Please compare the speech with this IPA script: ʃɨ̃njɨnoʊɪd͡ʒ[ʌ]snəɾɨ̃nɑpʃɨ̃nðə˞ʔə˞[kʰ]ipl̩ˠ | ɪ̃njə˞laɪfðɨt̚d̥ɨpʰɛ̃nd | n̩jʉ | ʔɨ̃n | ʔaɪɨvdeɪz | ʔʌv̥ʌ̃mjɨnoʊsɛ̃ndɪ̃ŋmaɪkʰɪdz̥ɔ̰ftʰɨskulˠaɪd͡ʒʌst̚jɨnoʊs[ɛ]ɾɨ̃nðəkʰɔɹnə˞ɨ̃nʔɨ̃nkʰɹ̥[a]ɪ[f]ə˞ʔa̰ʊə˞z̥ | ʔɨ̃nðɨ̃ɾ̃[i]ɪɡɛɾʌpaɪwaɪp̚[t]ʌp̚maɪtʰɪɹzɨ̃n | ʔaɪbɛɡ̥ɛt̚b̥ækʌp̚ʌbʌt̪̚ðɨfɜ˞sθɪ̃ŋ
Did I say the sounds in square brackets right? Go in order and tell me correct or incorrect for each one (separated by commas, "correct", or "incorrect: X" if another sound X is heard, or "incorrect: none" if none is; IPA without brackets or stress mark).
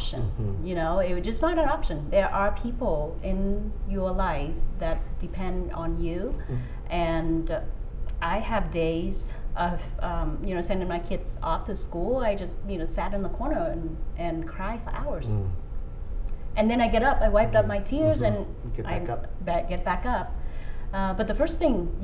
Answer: correct, incorrect: pʰ, incorrect: æ, correct, correct, incorrect: a, correct